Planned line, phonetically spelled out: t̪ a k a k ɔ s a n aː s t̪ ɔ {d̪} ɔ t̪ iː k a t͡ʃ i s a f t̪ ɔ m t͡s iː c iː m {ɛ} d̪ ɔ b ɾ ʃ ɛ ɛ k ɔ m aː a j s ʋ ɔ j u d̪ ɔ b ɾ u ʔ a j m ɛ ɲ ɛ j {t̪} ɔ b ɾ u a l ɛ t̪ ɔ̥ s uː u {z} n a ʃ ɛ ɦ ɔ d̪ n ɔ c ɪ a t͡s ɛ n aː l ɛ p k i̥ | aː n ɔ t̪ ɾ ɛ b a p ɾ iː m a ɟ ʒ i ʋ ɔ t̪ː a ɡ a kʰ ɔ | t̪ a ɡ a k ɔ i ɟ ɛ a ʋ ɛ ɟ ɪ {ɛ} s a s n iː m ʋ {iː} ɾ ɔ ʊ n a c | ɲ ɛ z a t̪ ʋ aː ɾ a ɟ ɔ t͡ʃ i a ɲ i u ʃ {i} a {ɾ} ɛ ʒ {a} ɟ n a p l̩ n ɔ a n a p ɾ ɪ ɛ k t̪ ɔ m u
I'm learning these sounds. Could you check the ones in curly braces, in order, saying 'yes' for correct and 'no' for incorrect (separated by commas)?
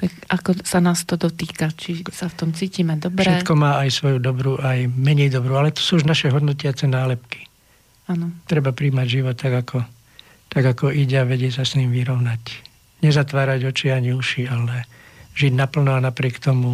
yes, yes, no, no, yes, no, yes, no, no